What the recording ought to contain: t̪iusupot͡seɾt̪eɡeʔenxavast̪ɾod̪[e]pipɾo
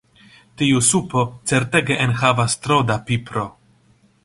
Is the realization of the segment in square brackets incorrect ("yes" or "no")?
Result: yes